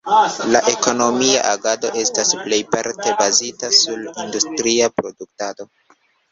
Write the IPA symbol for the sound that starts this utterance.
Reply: l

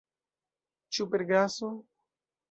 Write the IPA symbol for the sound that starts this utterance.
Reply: t͡ʃ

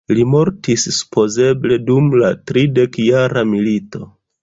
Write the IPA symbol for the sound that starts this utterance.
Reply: l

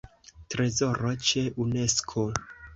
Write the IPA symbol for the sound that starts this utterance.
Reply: t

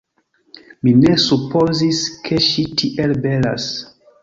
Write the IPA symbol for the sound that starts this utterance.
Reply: m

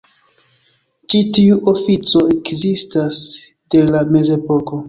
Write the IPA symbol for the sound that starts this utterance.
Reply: t͡ʃ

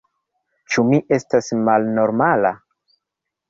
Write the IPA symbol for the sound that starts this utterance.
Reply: t͡ʃ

